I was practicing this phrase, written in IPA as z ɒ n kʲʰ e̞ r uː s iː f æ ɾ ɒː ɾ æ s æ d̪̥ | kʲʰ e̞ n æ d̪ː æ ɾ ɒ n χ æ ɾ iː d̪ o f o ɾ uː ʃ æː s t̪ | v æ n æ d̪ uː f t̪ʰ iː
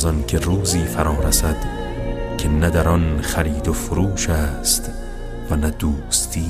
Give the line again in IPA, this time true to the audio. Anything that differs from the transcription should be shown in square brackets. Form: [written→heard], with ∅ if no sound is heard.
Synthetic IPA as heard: z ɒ n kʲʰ e̞ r uː [s→z] iː f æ ɾ ɒː ɾ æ s æ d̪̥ | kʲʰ e̞ n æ [d̪ː→d̪] æ ɾ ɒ n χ æ ɾ iː d̪ o f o ɾ uː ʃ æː s t̪ | v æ n æ d̪ uː [f→s] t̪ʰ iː